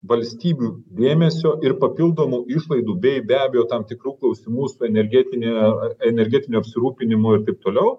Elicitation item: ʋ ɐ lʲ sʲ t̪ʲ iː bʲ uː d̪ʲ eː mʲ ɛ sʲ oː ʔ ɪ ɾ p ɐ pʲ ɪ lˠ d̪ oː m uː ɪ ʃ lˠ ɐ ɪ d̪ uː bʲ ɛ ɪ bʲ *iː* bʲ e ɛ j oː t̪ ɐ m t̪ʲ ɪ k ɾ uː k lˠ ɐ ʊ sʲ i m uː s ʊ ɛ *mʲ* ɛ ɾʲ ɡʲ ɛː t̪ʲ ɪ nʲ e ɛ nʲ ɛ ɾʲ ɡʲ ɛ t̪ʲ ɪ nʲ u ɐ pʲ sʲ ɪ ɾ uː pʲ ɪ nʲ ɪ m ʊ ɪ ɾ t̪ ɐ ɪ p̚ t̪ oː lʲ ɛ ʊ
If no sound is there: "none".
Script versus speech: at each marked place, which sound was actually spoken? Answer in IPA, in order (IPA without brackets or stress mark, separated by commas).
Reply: æː, nʲ